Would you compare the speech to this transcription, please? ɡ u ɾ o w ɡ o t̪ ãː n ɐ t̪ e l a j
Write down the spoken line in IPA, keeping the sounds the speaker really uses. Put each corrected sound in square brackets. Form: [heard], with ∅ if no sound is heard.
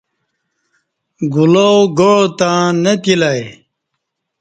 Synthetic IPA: ɡ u [l] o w ɡ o t̪ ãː n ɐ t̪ [i] l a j